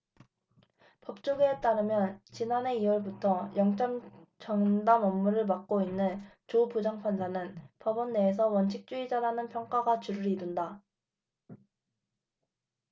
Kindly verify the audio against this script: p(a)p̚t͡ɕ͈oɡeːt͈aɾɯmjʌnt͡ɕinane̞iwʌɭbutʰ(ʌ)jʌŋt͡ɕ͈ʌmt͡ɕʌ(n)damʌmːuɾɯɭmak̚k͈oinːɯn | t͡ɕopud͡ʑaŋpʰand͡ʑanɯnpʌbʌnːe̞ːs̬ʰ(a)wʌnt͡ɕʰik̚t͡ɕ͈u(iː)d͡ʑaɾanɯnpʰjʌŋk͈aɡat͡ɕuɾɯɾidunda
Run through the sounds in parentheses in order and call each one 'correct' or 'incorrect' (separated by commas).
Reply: incorrect, correct, incorrect, incorrect, incorrect